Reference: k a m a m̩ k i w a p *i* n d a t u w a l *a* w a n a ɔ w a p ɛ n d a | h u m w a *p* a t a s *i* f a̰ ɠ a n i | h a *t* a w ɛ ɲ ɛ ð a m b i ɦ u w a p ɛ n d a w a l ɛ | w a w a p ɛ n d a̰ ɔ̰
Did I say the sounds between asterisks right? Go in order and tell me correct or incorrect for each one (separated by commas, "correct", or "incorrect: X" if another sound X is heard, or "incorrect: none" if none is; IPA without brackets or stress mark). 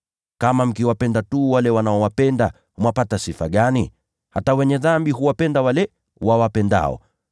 incorrect: ɛ, incorrect: ɛ, correct, correct, correct